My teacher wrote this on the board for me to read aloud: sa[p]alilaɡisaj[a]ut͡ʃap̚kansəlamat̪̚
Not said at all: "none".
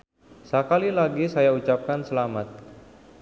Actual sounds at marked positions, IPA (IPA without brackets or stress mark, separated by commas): k, a